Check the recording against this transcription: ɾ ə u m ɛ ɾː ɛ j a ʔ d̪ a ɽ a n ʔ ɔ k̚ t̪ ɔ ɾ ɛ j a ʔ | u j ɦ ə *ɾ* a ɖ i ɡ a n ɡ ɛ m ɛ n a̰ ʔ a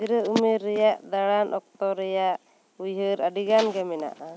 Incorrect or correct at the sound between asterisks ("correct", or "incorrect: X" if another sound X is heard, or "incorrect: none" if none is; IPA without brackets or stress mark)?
correct